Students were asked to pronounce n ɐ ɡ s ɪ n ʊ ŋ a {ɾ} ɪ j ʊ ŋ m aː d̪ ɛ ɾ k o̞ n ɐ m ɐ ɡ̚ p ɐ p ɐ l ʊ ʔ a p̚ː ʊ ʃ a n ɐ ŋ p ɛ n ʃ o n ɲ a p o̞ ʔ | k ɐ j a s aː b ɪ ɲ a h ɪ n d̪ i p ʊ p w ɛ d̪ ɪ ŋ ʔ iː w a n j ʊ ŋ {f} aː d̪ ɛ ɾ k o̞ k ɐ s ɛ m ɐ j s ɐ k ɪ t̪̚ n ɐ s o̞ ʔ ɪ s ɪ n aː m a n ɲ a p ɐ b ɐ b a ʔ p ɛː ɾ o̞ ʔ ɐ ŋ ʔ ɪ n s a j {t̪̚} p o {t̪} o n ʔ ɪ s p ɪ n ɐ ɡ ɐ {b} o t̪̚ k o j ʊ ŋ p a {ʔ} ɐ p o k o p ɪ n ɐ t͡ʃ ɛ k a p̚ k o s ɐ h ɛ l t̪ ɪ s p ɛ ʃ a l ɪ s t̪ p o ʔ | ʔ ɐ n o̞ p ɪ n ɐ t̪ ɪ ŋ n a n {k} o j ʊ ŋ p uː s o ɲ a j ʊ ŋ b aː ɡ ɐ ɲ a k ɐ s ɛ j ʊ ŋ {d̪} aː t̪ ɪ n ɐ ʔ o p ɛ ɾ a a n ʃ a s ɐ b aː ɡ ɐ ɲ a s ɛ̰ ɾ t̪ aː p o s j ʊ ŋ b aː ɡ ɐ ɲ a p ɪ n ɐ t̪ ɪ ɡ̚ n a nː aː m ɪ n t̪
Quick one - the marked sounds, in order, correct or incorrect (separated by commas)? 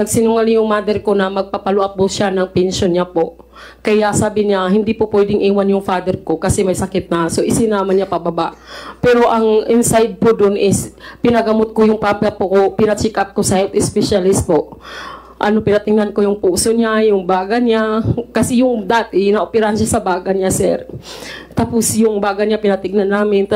incorrect, correct, incorrect, incorrect, incorrect, incorrect, correct, correct